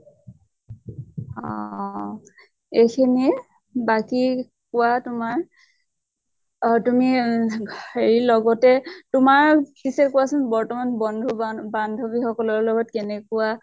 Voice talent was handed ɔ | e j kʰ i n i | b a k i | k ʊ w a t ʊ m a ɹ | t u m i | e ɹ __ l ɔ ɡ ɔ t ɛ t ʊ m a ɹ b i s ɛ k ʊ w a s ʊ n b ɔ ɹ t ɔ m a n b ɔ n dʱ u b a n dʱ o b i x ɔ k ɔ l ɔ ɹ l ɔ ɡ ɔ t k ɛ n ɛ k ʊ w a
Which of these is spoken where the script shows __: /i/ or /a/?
i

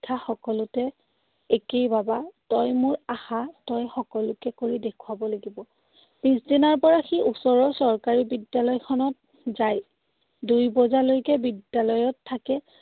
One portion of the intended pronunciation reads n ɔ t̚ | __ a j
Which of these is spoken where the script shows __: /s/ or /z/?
z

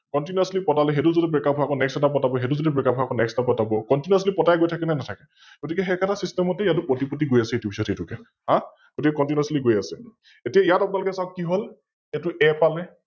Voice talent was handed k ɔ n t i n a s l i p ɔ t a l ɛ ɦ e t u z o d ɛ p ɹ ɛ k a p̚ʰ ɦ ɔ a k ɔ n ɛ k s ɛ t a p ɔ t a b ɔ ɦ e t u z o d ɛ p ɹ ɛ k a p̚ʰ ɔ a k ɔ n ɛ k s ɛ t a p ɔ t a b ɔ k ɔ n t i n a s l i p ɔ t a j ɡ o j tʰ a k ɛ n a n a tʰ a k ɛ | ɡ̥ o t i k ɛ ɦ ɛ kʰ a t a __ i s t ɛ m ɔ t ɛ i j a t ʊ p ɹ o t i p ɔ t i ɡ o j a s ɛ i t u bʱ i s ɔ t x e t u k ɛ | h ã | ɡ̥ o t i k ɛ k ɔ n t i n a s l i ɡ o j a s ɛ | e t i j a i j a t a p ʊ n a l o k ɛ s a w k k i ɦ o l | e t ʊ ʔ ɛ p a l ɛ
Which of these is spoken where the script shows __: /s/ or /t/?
s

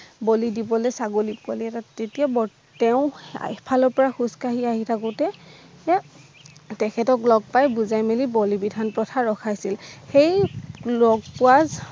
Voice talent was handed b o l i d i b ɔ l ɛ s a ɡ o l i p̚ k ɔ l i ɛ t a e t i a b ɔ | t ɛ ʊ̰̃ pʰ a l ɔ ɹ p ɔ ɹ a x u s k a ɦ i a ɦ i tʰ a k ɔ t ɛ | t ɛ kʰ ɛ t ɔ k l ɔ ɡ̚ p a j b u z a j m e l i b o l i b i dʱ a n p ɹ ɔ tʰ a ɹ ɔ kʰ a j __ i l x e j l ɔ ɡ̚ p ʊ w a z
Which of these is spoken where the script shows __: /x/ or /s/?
s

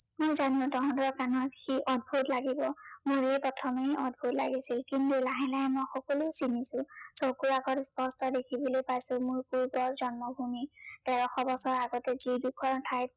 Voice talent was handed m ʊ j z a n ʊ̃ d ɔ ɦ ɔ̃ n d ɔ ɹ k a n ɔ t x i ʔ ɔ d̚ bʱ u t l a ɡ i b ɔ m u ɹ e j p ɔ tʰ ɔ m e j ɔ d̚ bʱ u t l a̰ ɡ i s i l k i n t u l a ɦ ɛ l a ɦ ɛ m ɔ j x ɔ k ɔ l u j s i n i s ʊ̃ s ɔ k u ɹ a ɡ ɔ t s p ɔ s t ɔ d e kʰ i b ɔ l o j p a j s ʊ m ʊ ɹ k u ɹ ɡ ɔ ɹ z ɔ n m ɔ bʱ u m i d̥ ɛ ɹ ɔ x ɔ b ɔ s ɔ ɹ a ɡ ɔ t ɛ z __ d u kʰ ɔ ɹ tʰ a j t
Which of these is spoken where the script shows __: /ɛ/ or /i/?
i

